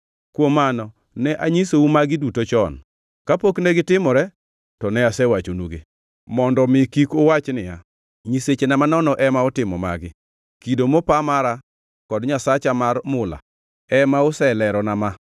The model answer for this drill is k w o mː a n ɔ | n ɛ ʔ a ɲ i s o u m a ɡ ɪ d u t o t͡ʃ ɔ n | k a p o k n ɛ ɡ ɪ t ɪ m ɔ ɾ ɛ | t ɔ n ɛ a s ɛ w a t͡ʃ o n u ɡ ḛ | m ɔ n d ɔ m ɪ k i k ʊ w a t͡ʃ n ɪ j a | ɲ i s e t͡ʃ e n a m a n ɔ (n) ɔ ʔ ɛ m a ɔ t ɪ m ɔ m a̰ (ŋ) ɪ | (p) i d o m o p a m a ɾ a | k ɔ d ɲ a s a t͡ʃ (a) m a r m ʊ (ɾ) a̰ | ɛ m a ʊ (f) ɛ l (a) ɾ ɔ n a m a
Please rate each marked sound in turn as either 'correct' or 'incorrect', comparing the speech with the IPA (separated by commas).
correct, incorrect, incorrect, correct, incorrect, incorrect, incorrect